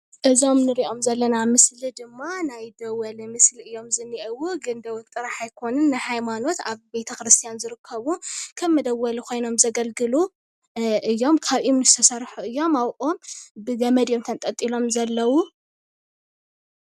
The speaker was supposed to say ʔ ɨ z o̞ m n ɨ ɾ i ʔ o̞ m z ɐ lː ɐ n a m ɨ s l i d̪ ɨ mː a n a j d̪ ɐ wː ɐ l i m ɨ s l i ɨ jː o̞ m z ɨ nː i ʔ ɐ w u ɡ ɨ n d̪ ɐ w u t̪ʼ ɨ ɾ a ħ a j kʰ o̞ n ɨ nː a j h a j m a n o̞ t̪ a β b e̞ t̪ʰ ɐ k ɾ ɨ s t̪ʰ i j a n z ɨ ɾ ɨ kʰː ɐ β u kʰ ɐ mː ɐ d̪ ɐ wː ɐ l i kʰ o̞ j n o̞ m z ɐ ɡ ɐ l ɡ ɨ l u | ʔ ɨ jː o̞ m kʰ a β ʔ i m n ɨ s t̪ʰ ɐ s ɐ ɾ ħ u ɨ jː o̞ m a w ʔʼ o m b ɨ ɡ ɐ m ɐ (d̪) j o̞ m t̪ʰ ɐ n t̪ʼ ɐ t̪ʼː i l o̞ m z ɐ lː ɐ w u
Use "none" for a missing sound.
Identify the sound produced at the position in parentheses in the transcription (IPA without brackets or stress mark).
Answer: d̪